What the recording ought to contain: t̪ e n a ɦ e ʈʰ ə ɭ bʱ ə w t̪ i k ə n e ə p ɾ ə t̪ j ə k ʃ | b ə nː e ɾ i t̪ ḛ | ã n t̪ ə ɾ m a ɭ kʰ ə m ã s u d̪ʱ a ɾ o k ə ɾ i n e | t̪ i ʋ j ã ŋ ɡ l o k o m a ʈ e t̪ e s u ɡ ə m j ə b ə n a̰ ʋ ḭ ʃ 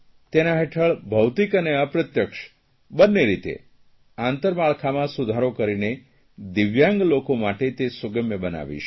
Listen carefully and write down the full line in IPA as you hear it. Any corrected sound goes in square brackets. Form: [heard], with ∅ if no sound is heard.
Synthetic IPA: t̪ e n a ɦ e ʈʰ ə ɭ bʱ ə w t̪ i k ə n e ə p ɾ ə t̪ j ə k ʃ | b ə nː e ɾ i t̪ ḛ | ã n t̪ ə ɾ m a ɭ kʰ [a] m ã s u d̪ʱ a ɾ o k ə ɾ i n e | [d̪] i ʋ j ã ŋ ɡ l o k o m a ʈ e t̪ e s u ɡ ə m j ə b ə n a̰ ʋ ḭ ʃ

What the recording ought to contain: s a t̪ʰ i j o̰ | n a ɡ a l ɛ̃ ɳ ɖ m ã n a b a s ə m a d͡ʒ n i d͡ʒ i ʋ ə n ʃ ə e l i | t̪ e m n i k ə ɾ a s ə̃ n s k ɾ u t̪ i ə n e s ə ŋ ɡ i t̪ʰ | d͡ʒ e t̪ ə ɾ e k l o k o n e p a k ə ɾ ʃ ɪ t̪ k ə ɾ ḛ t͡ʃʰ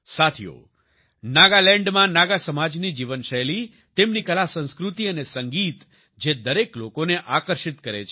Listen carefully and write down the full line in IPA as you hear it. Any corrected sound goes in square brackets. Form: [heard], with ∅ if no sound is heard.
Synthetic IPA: s a t̪ʰ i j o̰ | n a ɡ a l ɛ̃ ɳ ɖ m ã n a [ɡ] a s ə m a d͡ʒ n i d͡ʒ i ʋ ə n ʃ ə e l i | t̪ e m n i k ə [l] a s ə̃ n s k ɾ u t̪ i ə n e s ə ŋ ɡ i [t̪] | d͡ʒ e [d̪] ə ɾ e k l o k o n e [ʔ] a k ə ɾ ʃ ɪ t̪ k ə ɾ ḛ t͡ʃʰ

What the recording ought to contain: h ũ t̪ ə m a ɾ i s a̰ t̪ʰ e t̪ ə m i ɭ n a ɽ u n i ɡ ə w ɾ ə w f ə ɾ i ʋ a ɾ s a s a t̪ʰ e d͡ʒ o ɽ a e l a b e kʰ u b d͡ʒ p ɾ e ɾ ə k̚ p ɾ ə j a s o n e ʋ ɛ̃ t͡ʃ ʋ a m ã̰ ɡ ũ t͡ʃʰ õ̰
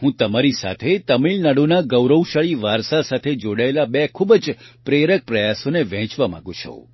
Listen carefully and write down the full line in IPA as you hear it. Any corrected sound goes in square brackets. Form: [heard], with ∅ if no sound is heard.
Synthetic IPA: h ũ t̪ ə m a ɾ i s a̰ t̪ʰ e t̪ ə m i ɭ n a ɽ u n [a] ɡ ə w ɾ ə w [ʃ] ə [ɭ] i ʋ a ɾ s a s a t̪ʰ e d͡ʒ o ɽ a e l a b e kʰ u b d͡ʒ p ɾ e ɾ ə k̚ p ɾ ə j a s o n e ʋ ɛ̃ t͡ʃ ʋ a m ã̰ ɡ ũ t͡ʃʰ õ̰

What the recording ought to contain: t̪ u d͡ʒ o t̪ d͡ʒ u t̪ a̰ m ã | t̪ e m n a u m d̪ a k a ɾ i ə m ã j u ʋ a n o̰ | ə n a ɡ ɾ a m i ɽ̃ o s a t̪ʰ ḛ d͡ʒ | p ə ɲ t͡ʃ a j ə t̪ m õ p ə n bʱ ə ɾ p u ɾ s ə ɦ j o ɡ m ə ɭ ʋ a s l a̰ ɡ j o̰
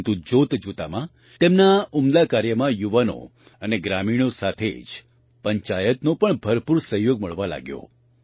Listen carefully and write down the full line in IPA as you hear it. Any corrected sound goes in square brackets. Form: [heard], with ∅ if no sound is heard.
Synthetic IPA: t̪ u d͡ʒ o t̪ d͡ʒ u t̪ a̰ m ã | t̪ e m n a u m d̪ a k a ɾ [j] ə m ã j u ʋ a n o̰ | ə n [e] ɡ ɾ a m i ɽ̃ o s a t̪ʰ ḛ d͡ʒ | p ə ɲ t͡ʃ a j ə t̪ [n] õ p ə [ɳ] bʱ ə ɾ p u ɾ s ə ɦ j o ɡ m ə ɭ ʋ a [∅] l a̰ ɡ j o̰

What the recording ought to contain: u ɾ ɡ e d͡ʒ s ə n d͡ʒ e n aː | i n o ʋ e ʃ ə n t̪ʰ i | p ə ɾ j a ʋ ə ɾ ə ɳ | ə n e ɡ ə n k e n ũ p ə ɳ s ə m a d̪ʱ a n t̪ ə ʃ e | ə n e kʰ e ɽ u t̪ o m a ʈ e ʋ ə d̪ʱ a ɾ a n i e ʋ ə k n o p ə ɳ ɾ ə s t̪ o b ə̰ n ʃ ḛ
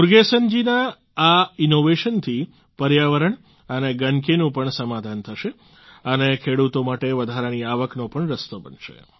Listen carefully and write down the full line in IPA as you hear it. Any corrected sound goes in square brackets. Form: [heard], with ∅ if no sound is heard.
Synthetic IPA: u ɾ ɡ e [∅] s ə n d͡ʒ [i] n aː | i n o ʋ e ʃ ə n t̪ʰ i | p ə ɾ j a ʋ ə ɾ ə ɳ | ə n e ɡ ə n k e n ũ p ə ɳ s ə m a d̪ʱ a n [t̪ʰ] ə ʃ e | ə n e kʰ e ɽ u t̪ o m a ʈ e ʋ ə d̪ʱ a ɾ a n i [a] ʋ ə k n o p ə ɳ ɾ ə s t̪ o b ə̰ n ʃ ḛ

